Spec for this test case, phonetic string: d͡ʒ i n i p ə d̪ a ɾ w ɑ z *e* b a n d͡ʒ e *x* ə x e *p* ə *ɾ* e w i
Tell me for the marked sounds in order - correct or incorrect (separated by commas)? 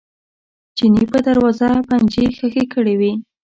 incorrect, correct, incorrect, incorrect